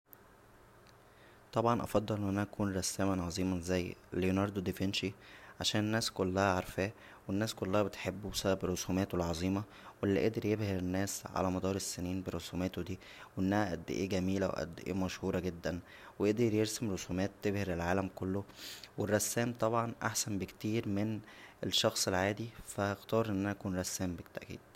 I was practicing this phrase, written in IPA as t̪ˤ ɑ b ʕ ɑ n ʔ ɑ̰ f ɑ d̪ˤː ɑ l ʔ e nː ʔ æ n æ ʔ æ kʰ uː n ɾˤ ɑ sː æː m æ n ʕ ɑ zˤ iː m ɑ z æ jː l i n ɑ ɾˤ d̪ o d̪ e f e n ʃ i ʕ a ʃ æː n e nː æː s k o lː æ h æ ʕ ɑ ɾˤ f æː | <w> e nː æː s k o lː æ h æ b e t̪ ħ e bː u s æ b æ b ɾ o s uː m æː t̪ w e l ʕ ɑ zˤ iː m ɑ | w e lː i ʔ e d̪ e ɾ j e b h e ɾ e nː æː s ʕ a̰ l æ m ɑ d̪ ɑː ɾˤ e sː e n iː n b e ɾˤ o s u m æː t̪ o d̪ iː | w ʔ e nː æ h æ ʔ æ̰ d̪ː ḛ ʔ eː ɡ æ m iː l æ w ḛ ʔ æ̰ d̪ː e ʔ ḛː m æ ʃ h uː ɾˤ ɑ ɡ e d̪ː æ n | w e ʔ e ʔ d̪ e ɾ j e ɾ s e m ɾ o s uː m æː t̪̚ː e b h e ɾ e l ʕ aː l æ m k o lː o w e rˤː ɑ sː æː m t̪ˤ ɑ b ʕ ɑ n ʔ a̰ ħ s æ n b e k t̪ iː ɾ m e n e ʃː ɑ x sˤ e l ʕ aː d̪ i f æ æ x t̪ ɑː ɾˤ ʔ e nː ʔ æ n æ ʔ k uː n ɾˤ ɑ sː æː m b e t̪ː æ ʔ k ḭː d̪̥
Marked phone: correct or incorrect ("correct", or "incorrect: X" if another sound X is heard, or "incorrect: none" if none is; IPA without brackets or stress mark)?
correct